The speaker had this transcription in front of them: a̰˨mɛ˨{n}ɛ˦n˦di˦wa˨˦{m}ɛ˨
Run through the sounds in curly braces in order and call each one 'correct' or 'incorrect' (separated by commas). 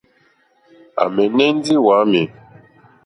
correct, correct